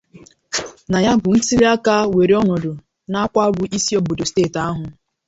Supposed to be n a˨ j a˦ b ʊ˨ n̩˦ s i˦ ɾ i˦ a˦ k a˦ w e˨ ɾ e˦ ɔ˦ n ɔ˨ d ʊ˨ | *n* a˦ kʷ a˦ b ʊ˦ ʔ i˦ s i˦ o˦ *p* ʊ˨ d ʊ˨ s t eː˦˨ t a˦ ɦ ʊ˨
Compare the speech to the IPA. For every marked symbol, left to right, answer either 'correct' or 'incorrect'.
correct, incorrect

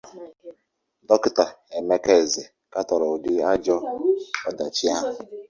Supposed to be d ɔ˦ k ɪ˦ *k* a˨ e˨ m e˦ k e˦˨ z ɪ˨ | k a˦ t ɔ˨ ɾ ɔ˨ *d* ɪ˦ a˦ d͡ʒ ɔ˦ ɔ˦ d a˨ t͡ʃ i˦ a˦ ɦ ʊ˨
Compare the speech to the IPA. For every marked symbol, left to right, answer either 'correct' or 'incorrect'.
incorrect, correct

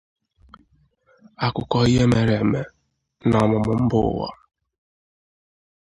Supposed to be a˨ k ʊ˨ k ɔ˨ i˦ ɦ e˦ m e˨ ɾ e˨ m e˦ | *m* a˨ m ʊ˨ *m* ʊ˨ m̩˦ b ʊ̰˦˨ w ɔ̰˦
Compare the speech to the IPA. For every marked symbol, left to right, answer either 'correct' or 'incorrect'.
incorrect, correct

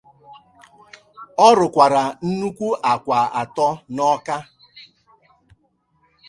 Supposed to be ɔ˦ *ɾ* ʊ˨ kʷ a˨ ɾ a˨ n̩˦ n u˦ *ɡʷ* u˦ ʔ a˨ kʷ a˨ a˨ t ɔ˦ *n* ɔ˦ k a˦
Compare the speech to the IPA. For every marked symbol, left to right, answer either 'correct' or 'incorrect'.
correct, incorrect, correct

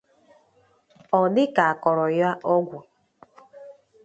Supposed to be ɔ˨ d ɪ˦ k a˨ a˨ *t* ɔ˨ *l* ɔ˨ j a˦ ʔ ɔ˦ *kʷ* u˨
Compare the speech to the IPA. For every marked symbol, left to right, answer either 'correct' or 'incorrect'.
incorrect, incorrect, incorrect

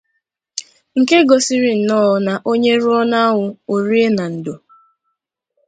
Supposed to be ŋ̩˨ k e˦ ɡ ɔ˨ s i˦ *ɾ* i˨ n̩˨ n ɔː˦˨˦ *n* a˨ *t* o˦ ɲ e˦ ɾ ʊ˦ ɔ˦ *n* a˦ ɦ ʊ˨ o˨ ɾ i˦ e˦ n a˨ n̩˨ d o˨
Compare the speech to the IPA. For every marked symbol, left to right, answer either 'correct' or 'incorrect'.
correct, correct, incorrect, correct

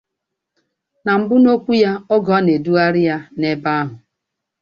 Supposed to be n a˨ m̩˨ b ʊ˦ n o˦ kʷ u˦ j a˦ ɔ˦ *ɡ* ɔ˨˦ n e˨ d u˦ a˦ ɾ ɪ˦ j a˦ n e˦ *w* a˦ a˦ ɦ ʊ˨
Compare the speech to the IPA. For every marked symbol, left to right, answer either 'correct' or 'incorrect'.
correct, incorrect

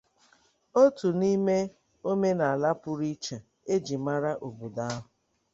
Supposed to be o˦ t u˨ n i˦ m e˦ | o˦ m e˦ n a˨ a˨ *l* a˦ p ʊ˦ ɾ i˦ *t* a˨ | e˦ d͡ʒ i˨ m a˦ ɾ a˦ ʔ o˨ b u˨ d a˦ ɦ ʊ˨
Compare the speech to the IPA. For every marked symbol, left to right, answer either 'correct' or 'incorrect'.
correct, incorrect

